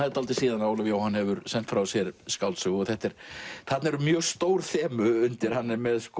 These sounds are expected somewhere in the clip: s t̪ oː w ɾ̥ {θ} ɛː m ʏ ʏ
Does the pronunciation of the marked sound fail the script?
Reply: no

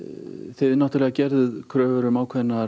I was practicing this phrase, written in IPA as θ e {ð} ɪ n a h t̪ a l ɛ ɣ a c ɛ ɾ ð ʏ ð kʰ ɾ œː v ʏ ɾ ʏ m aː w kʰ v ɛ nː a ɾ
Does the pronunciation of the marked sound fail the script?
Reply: no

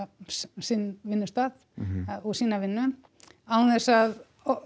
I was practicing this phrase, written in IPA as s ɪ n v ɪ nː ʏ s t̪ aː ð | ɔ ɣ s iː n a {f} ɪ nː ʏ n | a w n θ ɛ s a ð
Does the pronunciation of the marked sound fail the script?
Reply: yes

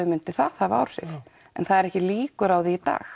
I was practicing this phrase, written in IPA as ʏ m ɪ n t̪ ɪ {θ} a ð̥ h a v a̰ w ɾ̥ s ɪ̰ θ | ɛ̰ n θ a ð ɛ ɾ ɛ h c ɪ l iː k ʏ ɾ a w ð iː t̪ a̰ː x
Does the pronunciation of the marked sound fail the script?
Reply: no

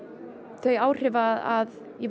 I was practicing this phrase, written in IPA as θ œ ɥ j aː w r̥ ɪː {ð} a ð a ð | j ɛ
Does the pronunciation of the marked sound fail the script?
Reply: yes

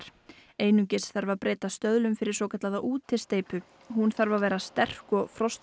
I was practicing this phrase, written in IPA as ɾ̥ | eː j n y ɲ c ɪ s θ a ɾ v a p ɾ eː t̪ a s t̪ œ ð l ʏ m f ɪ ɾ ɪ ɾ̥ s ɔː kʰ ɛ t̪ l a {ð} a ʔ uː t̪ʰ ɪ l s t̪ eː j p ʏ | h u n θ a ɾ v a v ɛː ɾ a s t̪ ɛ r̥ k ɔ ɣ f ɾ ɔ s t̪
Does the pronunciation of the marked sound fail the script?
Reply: no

